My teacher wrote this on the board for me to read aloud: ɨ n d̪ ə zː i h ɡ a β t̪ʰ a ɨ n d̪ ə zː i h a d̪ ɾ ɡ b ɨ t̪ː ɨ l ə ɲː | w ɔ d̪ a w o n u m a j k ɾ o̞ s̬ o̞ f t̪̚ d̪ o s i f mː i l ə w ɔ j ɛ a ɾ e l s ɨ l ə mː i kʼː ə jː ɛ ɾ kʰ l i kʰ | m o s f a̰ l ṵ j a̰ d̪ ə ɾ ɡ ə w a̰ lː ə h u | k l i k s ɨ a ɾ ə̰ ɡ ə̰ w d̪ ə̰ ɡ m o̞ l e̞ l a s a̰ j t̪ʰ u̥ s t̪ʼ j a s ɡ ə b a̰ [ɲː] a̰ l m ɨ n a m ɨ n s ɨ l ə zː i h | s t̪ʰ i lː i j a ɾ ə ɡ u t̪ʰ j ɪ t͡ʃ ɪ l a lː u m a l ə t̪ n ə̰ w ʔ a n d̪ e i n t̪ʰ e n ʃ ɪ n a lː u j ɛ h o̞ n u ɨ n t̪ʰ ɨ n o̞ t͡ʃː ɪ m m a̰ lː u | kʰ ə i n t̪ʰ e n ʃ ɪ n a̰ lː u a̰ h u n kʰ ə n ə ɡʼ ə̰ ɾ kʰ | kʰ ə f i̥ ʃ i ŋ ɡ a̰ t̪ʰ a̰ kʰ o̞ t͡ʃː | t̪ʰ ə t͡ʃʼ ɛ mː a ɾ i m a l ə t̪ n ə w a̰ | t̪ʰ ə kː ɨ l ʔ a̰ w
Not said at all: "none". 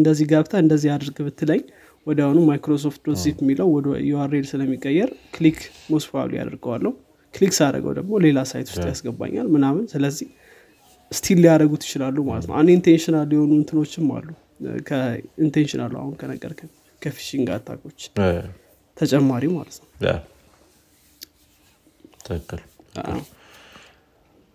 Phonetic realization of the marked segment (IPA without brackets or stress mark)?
ɲː